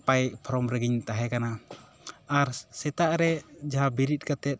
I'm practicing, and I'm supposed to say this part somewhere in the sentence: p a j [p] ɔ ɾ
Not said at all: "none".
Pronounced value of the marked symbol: pʰ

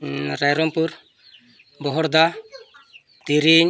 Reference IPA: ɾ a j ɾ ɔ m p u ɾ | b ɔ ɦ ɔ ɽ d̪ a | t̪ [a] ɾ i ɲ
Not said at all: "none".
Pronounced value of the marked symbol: i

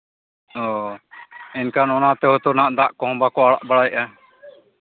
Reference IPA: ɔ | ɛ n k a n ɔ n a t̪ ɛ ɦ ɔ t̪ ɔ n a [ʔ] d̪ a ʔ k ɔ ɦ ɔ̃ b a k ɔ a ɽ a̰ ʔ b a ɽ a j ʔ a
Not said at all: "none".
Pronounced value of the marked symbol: ʔ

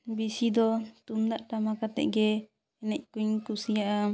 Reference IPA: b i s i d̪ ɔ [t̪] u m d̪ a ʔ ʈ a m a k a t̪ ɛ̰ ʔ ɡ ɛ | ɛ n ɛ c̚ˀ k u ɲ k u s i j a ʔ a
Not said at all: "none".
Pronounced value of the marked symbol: t̪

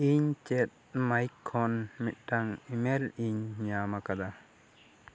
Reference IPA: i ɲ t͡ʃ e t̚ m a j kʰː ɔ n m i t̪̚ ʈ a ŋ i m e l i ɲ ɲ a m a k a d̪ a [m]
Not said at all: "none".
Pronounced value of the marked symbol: none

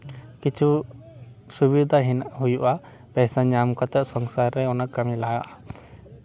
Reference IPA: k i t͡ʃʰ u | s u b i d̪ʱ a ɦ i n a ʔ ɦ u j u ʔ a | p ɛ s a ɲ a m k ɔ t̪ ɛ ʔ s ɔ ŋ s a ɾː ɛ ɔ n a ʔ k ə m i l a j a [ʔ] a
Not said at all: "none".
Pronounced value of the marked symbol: ʔ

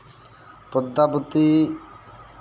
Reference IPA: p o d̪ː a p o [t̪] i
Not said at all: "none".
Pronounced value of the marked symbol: t̪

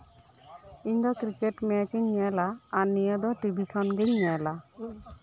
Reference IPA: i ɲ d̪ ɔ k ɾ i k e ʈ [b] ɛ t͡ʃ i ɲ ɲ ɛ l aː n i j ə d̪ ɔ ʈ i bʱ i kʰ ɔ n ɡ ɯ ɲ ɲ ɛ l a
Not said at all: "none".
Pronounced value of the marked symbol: m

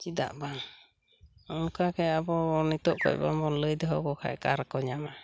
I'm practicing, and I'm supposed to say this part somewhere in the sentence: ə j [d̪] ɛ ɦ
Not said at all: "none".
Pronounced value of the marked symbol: d̪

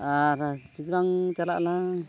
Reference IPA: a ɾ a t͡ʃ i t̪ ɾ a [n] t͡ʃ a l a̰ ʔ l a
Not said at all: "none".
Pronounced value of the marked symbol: ŋ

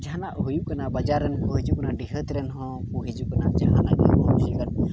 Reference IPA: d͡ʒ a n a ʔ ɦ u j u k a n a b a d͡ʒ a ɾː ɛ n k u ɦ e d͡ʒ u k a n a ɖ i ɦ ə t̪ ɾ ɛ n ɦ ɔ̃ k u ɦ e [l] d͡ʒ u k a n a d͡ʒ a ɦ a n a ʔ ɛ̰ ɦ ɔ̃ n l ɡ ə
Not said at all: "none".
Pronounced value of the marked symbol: none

